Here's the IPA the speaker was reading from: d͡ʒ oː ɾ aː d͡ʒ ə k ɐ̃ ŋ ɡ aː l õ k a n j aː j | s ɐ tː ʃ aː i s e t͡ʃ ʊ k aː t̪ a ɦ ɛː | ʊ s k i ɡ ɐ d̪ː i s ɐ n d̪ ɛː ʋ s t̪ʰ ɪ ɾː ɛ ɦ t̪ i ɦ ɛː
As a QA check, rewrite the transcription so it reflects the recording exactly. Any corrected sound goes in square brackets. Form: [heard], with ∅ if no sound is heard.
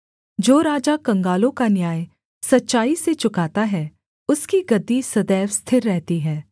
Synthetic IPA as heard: d͡ʒ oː ɾ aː d͡ʒ [a] k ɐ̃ ŋ ɡ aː l õ k a n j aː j | s ɐ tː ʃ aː i s e t͡ʃ ʊ k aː t̪ a ɦ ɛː | ʊ s k i ɡ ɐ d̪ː i s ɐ [∅] d̪ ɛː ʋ s t̪ʰ ɪ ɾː ɛ ɦ t̪ i ɦ ɛː